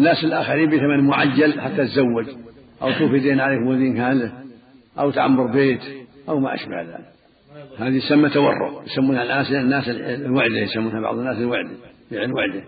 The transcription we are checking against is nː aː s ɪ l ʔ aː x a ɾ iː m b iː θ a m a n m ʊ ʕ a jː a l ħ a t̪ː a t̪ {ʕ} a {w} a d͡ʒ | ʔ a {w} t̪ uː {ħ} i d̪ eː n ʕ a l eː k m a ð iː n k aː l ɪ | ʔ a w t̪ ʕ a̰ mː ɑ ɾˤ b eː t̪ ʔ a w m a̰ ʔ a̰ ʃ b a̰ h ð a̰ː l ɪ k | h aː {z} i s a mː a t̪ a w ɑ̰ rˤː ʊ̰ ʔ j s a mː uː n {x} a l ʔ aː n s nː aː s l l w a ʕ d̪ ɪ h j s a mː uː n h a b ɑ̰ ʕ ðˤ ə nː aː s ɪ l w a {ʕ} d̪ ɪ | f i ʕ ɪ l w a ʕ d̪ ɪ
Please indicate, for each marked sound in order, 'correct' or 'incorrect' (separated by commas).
incorrect, incorrect, correct, incorrect, incorrect, incorrect, correct